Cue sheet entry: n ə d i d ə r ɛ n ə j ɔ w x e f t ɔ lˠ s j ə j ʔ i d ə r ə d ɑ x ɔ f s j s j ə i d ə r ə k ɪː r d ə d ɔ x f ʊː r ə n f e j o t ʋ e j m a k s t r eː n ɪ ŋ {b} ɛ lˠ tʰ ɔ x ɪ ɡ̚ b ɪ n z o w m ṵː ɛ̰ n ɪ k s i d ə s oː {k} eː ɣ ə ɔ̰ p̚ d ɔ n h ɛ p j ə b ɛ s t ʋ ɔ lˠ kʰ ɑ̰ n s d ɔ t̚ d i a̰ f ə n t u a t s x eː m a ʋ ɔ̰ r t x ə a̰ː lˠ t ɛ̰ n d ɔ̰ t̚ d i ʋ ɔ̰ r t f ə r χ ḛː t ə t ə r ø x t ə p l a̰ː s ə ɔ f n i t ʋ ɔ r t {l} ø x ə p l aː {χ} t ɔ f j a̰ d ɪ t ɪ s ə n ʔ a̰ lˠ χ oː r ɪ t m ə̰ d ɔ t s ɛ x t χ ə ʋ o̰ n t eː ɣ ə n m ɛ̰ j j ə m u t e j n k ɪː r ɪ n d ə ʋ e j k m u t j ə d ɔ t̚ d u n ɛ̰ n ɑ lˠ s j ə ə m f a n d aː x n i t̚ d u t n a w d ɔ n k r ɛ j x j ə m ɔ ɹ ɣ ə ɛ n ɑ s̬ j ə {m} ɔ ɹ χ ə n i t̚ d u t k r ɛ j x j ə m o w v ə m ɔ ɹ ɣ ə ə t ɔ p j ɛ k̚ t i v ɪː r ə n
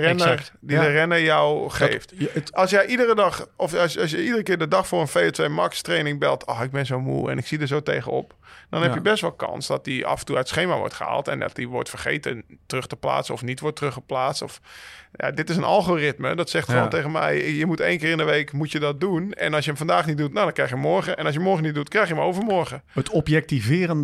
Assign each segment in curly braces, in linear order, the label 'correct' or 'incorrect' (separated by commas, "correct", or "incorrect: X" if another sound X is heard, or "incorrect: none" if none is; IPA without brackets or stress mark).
correct, incorrect: t, incorrect: r, incorrect: s, correct